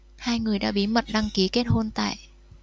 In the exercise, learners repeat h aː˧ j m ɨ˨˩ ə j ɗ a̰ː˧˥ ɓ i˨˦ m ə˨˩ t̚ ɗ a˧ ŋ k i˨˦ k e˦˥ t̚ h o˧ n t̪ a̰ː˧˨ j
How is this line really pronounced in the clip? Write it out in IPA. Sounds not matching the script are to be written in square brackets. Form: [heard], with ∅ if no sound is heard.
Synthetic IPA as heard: h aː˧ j [ŋ] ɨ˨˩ ə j ɗ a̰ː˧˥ ɓ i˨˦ m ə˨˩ t̚ ɗ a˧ ŋ k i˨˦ k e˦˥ t̚ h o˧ n t̪ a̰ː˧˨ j